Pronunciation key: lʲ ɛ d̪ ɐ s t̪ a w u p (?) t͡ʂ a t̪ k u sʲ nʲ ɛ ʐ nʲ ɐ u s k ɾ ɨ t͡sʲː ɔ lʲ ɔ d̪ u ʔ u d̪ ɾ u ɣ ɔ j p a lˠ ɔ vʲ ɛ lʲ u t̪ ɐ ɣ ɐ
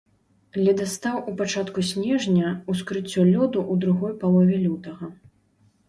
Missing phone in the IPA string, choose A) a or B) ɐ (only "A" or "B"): A